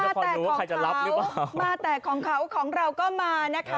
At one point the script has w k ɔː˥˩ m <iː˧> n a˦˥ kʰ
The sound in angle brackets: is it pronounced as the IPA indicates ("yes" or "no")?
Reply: no